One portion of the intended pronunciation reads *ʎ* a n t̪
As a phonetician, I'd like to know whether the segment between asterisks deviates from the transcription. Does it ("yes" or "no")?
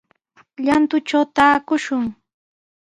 no